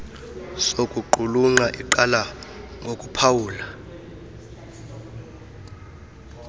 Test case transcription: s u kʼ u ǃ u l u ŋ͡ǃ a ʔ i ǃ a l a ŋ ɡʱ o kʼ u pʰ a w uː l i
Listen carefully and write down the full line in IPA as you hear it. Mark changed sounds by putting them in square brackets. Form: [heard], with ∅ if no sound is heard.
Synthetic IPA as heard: s [o] kʼ u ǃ u l u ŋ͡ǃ a ʔ i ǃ a l a ŋ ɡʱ o kʼ u pʰ a w uː l [a]